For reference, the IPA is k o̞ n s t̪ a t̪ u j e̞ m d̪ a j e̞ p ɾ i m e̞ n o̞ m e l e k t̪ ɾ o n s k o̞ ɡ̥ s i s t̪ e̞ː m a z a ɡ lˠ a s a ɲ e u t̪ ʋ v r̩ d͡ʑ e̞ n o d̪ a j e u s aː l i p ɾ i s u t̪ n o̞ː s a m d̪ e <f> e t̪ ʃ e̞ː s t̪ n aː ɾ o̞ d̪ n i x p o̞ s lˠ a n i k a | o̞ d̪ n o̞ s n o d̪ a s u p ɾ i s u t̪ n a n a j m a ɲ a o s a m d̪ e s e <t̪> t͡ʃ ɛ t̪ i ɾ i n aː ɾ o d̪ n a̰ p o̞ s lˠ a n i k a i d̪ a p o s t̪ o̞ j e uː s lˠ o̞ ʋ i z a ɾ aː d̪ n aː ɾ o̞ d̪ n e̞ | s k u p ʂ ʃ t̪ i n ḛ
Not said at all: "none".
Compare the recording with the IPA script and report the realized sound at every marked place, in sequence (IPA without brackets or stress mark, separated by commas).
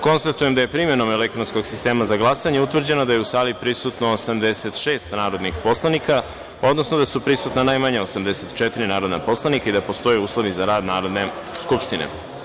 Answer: s, t̪